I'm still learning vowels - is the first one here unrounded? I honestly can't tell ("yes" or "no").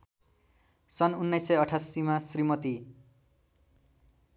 yes